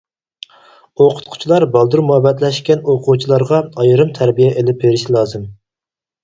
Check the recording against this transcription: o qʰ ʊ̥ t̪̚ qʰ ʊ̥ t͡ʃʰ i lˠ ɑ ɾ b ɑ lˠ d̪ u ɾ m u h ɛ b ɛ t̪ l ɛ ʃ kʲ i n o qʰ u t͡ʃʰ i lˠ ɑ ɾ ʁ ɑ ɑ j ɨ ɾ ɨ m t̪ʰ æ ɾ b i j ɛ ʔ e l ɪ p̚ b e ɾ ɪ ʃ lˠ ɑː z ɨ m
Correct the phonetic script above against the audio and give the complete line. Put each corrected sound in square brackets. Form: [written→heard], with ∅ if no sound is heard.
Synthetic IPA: o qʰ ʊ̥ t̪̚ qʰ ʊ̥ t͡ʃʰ i lˠ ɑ ɾ b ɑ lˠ d̪ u ɾ m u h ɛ b ɛ t̪ l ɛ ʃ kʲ [i→ɛ] n o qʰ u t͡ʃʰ i lˠ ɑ ɾ ʁ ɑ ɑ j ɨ ɾ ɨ m t̪ʰ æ ɾ b i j ɛ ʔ e l ɪ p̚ b e ɾ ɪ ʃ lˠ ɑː z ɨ m